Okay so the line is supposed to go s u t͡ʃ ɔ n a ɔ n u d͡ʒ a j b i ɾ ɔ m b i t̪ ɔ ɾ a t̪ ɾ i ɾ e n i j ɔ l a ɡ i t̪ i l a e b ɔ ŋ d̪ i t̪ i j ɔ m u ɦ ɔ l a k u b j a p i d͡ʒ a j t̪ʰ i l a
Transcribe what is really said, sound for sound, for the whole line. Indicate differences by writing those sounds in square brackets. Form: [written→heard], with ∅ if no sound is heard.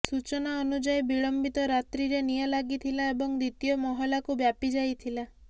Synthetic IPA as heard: s u t͡ʃ ɔ n a ɔ n u d͡ʒ a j b i [ɾ→ɭ] ɔ m b i t̪ ɔ ɾ a t̪ ɾ i ɾ e n i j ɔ l a ɡ i [t̪→t̪ʰ] i l a e b ɔ ŋ d̪ i t̪ i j ɔ m [u→ɔ] ɦ ɔ l a k u b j a p i d͡ʒ a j t̪ʰ i l a